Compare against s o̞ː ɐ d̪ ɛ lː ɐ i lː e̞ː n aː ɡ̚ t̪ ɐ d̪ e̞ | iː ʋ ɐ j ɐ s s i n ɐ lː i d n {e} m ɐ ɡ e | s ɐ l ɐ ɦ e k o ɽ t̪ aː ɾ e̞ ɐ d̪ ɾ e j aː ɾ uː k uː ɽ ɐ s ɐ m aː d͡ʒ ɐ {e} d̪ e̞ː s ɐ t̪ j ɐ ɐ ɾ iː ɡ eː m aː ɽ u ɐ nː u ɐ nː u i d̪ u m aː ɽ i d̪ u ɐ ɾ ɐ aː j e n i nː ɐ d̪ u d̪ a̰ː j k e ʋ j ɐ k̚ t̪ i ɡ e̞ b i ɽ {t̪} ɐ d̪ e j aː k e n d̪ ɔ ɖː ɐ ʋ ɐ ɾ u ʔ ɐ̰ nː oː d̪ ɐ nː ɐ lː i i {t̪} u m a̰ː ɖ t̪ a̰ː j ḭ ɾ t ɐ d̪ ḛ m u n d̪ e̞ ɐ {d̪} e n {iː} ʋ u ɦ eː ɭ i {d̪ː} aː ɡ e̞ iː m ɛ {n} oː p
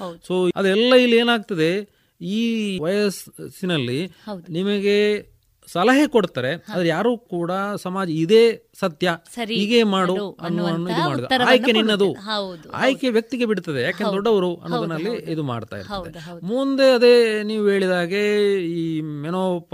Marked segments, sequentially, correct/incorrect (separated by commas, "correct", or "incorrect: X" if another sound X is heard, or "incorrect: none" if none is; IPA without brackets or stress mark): incorrect: i, incorrect: i, correct, incorrect: d̪, correct, correct, incorrect: d̪, correct